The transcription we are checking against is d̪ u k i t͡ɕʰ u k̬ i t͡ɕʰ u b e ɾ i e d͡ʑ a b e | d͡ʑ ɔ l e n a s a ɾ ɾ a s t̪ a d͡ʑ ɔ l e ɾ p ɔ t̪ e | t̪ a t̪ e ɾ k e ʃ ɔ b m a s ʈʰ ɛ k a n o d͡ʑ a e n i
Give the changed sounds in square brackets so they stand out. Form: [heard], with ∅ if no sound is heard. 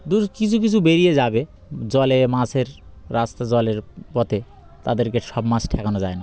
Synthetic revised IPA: d̪ u k i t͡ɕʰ u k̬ i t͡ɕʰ u b e ɾ i e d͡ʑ a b e | d͡ʑ ɔ l e [m] a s [e] ɾ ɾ a s t̪ a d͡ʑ ɔ l e ɾ p ɔ t̪ e | t̪ a [d̪] e ɾ k e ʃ ɔ b m a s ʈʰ ɛ k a n o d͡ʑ a e n [a]